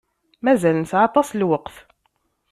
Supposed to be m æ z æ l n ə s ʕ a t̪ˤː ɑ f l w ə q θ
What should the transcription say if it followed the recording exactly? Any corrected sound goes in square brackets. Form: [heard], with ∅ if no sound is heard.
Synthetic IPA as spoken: m æ z æ l n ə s ʕ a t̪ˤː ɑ [s] l w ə q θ